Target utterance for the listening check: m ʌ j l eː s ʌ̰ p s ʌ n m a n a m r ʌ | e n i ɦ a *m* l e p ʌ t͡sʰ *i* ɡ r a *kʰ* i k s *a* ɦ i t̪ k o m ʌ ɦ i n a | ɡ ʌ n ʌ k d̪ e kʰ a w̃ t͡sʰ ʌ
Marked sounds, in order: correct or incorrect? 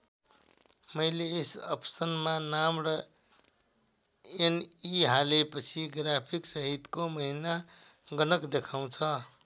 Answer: incorrect, correct, incorrect, incorrect

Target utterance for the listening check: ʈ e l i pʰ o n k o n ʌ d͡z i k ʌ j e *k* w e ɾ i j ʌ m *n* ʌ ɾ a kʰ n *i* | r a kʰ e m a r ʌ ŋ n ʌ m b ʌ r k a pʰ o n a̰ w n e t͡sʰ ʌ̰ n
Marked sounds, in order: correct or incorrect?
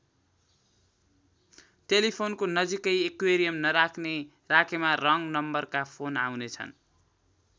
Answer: correct, correct, incorrect

